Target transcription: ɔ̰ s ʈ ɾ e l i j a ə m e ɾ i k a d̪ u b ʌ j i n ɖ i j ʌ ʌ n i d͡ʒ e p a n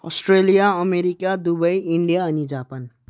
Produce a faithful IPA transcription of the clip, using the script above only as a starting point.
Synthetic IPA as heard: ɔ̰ s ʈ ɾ e l i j a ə m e ɾ i k a d̪ u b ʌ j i ɳ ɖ i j a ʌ n i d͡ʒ a p a n